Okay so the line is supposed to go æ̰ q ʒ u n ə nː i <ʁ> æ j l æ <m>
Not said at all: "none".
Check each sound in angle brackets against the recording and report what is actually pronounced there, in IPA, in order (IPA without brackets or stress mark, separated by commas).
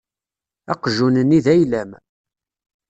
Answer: ð, m